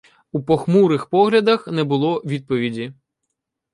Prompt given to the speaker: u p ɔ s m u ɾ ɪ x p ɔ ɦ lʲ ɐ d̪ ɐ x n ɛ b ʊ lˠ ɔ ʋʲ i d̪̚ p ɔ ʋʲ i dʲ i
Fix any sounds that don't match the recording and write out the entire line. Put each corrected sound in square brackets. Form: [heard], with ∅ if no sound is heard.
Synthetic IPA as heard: u p ɔ [x] m u ɾ ɪ x p ɔ ɦ lʲ ɐ d̪ ɐ x n ɛ b ʊ lˠ ɔ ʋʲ i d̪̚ p ɔ ʋʲ i dʲ i